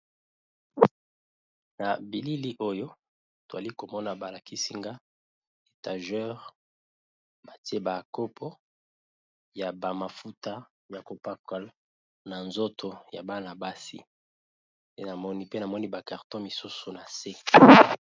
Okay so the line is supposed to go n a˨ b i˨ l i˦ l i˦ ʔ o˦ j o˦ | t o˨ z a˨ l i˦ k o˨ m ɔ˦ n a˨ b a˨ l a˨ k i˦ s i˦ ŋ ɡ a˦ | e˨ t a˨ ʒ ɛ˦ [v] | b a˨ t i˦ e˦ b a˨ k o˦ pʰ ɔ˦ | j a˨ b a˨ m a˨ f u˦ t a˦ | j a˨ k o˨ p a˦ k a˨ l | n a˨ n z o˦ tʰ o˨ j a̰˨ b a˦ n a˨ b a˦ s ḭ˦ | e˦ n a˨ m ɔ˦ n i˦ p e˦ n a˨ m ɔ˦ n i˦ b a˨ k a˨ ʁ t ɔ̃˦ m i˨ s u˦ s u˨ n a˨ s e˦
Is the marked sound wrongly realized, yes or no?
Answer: yes